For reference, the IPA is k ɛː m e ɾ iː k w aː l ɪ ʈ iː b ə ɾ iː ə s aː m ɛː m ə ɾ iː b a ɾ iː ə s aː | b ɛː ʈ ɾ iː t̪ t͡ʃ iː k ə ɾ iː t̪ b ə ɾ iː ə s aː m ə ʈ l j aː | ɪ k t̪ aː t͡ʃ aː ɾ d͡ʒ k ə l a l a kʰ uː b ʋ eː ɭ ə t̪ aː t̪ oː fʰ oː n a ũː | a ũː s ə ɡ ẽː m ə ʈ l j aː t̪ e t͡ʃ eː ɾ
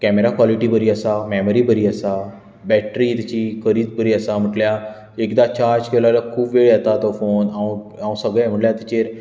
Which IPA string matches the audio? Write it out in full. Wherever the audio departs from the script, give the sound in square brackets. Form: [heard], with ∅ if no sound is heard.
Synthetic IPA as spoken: k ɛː m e ɾ [aː] k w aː l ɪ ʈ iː b ə ɾ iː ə s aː m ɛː m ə ɾ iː b [ə] ɾ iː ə s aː | b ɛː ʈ ɾ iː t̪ t͡ʃ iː k ə ɾ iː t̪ b ə ɾ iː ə s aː m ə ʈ l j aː | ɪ k [d̪] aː t͡ʃ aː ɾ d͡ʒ k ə l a l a kʰ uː b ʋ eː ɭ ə t̪ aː t̪ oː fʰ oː n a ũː | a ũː s ə ɡ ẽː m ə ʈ l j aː t̪ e t͡ʃ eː ɾ